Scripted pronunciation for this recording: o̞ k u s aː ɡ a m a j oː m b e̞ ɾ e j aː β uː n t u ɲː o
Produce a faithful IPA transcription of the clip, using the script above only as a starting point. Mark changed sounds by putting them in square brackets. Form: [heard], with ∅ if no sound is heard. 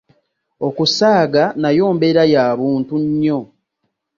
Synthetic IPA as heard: o̞ k u s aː ɡ a [n] a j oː m b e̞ ɾ [a] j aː β uː n t u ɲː o